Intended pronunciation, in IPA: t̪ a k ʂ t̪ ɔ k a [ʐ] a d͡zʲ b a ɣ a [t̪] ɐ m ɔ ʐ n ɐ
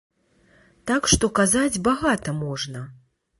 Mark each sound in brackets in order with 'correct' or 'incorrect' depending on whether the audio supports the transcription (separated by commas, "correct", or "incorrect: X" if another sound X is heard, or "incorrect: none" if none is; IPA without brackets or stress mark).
incorrect: z, correct